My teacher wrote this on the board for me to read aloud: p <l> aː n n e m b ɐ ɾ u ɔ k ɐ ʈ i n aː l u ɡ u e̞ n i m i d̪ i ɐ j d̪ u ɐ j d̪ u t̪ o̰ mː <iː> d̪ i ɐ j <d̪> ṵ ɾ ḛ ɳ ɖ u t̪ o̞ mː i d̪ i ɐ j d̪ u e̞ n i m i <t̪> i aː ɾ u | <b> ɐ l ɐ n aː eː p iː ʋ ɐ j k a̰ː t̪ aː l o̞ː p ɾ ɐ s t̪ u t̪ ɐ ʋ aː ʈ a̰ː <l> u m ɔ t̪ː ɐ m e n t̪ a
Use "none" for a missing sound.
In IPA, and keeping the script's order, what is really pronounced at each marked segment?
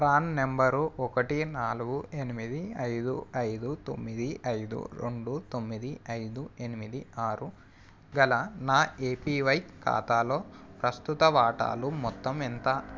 ɾ, i, d̪, d̪, ɡ, l

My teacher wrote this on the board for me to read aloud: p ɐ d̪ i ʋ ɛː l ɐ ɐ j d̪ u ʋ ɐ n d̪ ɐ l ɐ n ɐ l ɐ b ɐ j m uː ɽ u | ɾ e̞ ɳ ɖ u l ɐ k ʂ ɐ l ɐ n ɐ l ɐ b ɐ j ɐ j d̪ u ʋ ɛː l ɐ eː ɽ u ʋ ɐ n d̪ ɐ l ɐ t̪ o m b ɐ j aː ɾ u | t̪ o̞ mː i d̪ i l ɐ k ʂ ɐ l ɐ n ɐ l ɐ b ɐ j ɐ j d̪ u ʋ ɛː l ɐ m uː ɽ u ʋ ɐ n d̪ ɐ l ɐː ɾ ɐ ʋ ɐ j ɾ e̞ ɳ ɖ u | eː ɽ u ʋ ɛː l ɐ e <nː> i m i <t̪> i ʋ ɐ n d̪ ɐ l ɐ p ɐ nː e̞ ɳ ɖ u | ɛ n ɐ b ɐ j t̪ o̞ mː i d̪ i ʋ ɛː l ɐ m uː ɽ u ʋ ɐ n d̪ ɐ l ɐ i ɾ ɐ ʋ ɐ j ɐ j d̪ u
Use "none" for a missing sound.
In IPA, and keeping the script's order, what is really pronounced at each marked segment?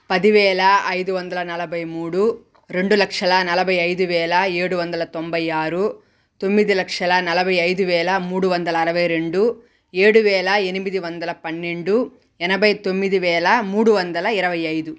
n, d̪

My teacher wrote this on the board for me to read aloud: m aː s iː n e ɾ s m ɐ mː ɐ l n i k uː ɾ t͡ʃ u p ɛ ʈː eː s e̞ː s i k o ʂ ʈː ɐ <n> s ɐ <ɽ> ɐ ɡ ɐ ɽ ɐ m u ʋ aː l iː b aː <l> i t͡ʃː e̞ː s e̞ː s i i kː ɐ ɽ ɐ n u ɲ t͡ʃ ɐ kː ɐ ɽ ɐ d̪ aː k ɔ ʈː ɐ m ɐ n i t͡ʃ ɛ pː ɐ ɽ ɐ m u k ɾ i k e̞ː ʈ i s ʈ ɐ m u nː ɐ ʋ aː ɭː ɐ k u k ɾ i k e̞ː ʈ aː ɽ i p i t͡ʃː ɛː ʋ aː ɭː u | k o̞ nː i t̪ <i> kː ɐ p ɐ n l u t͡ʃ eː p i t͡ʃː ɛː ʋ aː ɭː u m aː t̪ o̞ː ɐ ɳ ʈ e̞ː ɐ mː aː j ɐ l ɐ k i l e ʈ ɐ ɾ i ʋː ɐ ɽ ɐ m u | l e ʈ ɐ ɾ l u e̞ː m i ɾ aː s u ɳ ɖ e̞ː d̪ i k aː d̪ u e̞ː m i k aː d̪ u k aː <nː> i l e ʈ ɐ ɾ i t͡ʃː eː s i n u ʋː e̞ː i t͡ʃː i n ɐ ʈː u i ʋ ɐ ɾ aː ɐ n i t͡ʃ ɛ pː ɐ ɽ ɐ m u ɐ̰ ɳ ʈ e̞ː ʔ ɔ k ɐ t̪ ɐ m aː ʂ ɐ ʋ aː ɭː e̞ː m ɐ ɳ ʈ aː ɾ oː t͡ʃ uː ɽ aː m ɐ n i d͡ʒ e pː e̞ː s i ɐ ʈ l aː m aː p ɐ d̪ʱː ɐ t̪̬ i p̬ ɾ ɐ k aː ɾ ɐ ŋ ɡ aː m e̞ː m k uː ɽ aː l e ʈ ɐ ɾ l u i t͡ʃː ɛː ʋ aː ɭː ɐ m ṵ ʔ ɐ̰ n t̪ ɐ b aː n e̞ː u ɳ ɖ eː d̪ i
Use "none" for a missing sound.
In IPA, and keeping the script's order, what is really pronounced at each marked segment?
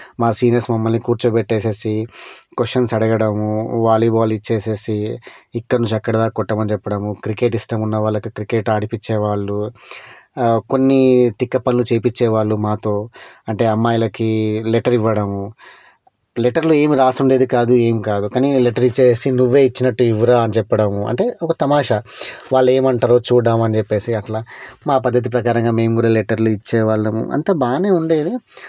n, ɽ, l, i, n

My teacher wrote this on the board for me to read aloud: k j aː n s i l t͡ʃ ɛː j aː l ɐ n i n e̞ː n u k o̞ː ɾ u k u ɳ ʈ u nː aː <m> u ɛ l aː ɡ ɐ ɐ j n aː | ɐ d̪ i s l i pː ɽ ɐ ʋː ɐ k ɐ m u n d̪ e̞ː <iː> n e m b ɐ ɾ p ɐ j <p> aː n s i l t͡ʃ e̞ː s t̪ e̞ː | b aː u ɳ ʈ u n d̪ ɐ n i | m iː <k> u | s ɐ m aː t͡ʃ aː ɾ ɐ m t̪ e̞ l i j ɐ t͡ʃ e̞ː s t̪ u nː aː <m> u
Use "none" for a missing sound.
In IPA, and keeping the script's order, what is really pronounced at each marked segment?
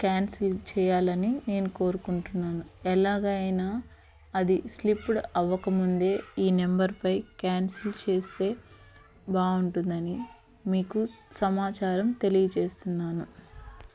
n, iː, k, k, n

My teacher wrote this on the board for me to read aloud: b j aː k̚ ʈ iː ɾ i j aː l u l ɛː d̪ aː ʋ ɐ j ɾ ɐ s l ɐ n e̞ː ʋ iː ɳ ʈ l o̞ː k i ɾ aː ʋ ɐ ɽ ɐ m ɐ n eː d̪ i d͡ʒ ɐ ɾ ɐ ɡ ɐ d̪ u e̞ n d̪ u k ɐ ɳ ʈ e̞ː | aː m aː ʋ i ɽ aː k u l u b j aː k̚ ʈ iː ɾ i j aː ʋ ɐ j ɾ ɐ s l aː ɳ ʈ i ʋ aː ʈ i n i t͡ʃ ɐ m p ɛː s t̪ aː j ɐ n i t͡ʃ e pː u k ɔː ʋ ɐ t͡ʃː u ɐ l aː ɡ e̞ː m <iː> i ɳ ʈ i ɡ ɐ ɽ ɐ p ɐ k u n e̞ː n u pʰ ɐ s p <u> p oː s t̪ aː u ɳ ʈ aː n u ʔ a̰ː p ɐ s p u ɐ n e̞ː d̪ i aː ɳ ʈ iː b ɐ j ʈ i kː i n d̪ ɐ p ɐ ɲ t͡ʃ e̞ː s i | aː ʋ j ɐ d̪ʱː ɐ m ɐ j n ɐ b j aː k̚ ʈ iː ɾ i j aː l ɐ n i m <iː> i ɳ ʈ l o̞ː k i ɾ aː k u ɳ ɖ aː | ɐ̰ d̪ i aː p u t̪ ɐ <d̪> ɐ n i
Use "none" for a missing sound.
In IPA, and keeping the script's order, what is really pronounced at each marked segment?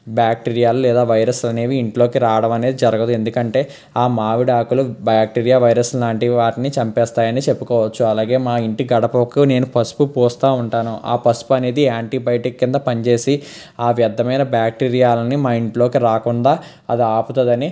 aː, u, aː, d̪

